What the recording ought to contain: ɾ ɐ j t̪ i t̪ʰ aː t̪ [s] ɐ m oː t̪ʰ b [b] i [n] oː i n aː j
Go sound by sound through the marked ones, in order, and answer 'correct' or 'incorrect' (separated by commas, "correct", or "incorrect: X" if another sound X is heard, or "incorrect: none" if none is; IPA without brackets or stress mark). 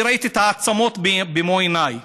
correct, correct, incorrect: m